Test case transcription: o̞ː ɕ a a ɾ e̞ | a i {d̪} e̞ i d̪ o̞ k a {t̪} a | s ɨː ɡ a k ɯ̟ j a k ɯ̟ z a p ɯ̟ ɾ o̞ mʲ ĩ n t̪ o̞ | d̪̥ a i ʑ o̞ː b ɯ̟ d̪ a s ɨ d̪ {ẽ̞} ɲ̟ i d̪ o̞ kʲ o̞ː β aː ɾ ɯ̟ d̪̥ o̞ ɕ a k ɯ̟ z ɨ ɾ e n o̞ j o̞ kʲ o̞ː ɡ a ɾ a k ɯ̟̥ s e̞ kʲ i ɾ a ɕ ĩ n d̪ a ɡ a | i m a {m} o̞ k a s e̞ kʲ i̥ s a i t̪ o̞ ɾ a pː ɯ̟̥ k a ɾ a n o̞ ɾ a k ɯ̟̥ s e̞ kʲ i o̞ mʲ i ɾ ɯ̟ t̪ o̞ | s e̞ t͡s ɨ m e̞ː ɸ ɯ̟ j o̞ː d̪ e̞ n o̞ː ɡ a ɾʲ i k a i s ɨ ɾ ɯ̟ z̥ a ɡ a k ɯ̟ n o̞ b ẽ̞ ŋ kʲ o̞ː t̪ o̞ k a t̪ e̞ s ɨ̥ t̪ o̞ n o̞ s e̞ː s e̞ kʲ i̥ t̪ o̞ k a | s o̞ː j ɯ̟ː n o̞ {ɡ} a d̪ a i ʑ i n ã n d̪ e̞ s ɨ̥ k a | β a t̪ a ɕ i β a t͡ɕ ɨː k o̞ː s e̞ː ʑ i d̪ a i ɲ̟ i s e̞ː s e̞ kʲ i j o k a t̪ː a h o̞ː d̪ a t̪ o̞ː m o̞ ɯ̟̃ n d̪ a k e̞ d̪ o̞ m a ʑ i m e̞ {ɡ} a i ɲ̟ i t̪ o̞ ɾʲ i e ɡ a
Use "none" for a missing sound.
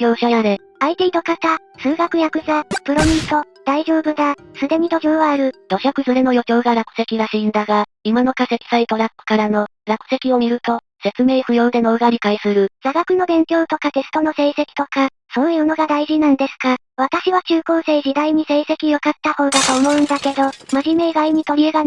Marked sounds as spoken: t̪, t̪, e̞, n, ɡ, ɡ

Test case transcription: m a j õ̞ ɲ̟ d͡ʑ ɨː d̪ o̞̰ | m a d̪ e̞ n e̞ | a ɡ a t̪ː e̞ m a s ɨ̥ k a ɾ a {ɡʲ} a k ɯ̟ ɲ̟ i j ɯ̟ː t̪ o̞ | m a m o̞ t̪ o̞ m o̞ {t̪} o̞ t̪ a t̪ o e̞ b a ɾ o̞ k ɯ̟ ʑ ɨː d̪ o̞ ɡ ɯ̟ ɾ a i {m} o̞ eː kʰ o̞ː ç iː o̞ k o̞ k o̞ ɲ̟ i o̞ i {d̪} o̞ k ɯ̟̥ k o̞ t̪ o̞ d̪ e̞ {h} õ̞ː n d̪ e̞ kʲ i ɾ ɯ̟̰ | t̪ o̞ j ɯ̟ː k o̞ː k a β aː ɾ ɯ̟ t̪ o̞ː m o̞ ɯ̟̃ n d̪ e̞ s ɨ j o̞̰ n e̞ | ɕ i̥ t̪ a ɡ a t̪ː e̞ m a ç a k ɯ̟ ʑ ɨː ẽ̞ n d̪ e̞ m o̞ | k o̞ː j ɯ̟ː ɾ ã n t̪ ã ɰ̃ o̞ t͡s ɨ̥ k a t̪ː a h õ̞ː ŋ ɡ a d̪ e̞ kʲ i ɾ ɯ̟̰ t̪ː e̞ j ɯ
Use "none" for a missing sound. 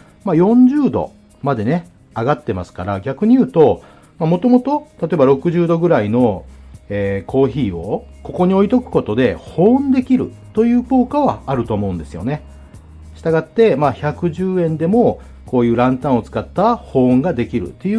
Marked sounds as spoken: ɡʲ, t̪, n, t̪, h

